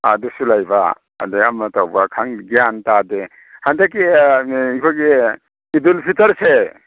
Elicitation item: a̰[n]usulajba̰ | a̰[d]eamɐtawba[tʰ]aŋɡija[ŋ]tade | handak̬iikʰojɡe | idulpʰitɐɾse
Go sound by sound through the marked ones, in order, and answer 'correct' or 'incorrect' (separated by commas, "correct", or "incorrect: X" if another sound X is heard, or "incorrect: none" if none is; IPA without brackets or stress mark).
incorrect: d, correct, incorrect: kʰ, incorrect: n